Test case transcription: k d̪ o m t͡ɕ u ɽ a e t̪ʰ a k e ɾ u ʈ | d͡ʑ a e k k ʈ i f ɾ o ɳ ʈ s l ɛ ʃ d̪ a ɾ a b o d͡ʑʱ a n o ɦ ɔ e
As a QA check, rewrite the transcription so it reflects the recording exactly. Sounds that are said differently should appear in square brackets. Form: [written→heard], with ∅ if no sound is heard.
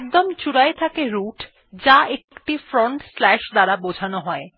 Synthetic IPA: k d̪ o m t͡ɕ u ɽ a e t̪ʰ a k e ɾ u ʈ | d͡ʑ a e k k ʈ i f ɾ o ɳ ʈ s l ɛ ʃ d̪ a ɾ a b o d͡ʑʱ a n o ɦ ɔ e